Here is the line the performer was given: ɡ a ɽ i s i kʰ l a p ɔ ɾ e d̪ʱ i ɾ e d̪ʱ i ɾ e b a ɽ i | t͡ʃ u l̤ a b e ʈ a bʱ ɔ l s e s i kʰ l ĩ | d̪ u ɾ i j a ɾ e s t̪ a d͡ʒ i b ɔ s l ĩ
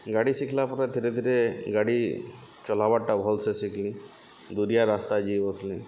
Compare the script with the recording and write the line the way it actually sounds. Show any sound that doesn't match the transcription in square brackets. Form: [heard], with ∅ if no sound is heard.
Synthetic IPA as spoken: ɡ a ɽ i s i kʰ l a p ɔ ɾ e d̪ʱ i ɾ e d̪ʱ i ɾ e [ɡ] a ɽ i | t͡ʃ [ɔ] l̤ a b [a] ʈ a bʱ ɔ l s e s i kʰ l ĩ | d̪ u ɾ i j a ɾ [a] s t̪ a d͡ʒ i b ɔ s l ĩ